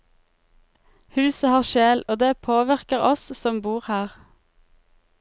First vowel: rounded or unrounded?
rounded